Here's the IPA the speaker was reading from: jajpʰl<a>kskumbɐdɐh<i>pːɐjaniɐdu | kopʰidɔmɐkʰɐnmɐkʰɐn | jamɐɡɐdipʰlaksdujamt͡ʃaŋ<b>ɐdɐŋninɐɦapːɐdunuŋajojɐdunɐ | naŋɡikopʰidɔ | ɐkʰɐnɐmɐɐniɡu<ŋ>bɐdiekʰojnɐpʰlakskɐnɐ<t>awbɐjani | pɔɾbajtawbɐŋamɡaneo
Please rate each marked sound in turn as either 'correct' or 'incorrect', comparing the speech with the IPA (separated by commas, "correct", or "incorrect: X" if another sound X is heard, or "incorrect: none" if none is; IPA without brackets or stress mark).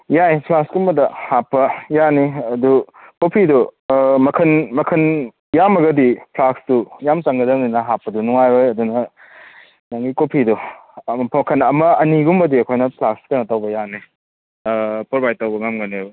correct, incorrect: a, incorrect: ɡ, incorrect: m, correct